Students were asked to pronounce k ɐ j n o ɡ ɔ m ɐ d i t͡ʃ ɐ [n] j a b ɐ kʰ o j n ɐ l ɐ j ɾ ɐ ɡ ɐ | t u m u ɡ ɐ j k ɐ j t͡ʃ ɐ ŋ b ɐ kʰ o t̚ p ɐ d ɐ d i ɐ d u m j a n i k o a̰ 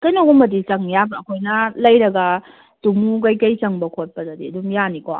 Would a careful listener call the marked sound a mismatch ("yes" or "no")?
yes